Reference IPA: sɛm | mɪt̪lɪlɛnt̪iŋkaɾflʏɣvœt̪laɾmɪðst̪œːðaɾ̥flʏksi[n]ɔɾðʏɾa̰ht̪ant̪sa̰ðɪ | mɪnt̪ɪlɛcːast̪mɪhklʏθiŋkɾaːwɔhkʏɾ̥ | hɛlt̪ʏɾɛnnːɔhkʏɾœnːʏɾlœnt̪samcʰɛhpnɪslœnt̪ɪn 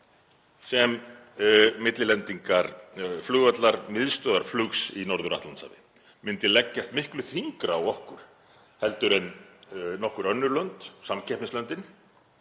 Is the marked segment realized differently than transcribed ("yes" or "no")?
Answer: no